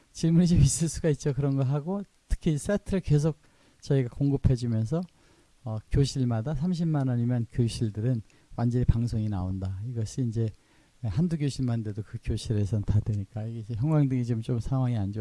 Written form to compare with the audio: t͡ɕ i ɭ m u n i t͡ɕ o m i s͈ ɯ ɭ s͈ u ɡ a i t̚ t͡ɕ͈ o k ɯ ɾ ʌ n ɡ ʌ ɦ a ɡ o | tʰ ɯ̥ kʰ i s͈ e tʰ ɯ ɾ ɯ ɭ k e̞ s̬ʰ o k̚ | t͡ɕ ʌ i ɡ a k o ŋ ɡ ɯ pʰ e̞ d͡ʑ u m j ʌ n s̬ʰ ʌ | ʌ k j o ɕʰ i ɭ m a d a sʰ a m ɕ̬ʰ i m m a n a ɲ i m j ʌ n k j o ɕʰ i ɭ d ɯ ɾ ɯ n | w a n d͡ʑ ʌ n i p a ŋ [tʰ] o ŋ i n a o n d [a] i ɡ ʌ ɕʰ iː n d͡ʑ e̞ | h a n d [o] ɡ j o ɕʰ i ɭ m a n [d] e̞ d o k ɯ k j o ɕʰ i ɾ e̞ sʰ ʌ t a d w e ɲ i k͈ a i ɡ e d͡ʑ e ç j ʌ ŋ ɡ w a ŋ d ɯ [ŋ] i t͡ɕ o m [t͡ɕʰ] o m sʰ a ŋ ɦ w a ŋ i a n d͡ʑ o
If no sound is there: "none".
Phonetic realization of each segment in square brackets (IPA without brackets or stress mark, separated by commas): sʰ, a, u, d, ŋ, t͡ɕ